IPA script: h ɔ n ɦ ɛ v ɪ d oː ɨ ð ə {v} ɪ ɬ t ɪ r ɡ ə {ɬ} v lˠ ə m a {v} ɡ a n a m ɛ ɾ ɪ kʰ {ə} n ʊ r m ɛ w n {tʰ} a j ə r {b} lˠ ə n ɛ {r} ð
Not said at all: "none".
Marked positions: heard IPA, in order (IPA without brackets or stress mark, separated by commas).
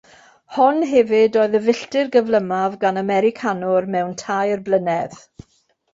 v, none, v, a, tʰ, b, none